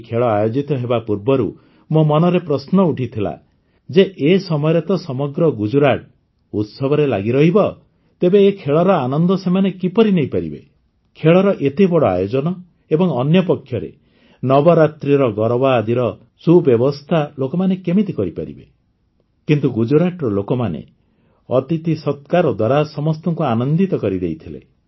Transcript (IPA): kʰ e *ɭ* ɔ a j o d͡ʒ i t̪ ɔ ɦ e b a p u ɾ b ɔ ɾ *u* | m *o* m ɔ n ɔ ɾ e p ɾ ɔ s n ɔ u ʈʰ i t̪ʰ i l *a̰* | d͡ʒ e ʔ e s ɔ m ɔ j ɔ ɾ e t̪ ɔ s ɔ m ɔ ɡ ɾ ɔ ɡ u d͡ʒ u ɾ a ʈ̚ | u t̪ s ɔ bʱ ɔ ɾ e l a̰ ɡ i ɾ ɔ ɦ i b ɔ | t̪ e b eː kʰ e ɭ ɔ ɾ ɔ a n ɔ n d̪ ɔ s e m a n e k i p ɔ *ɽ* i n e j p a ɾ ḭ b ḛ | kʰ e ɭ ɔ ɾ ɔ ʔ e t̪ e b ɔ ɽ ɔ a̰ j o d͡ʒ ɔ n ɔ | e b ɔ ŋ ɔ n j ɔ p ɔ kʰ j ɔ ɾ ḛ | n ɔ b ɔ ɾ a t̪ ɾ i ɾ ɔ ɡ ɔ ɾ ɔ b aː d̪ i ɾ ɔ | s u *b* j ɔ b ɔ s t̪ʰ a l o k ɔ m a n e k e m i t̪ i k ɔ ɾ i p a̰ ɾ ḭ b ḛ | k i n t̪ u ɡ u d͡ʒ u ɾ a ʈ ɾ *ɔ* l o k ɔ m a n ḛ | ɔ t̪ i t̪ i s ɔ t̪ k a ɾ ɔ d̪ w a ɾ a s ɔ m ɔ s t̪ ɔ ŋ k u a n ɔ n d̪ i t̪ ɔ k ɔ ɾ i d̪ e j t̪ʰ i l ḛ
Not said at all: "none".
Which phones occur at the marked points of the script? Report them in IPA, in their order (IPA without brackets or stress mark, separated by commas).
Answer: ɭ, u, o, a̰, ɾ, b, ɔ